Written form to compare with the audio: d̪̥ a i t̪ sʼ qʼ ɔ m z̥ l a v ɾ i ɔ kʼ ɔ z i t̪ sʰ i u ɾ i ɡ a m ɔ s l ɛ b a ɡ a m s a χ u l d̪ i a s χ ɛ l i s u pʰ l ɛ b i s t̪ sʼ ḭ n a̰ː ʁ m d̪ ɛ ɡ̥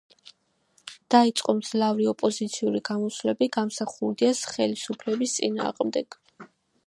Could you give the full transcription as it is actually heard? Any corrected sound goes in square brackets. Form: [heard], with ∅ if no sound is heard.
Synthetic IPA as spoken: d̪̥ a i t̪ sʼ qʼ ɔ m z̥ l a v ɾ i ɔ [pʼ] ɔ z i t̪ sʰ i u ɾ i ɡ a m ɔ s l ɛ b [i] ɡ a m s a χ u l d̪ i a s χ ɛ l i s u pʰ l ɛ b i s t̪ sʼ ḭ n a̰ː ʁ m d̪ ɛ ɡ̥